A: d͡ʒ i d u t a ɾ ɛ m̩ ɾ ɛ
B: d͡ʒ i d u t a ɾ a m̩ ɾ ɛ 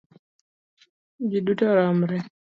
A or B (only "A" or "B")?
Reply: B